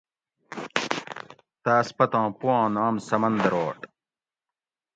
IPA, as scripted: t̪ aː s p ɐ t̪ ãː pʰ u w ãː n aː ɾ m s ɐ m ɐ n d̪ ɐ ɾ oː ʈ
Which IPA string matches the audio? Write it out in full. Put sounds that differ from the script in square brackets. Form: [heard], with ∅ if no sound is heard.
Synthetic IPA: t̪ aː s p ɐ t̪ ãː [p] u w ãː n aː [∅] m s ɐ m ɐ n d̪ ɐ ɾ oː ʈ